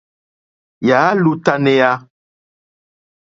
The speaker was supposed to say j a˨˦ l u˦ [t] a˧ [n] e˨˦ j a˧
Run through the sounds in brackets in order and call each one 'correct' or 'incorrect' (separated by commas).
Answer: correct, correct